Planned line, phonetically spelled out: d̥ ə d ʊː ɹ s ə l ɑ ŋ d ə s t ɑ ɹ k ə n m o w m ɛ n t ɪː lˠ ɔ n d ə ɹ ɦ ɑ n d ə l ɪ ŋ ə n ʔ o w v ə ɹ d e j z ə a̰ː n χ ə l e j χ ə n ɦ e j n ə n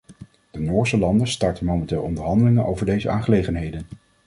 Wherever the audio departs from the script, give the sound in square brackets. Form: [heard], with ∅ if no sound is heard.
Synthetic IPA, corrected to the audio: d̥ ə [n] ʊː ɹ s ə l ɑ [n] d ə s t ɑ ɹ [t] ə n m o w m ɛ n t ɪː lˠ ɔ n d ə ɹ ɦ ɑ n d ə l ɪ ŋ ə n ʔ o w v ə ɹ d e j z ə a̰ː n χ ə l e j χ ə n ɦ e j [d] ə n